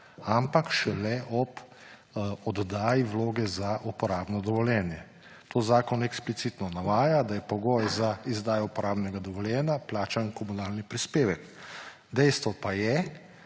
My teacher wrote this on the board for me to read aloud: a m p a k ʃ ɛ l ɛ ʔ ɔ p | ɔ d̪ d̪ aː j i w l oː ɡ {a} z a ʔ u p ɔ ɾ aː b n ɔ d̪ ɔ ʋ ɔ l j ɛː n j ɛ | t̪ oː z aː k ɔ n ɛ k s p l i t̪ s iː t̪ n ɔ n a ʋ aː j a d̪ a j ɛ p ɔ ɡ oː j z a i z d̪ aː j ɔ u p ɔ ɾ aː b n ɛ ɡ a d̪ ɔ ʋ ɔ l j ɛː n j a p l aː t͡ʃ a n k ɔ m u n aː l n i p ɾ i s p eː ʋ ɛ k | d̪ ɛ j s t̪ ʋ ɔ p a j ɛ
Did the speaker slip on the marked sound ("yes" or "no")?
yes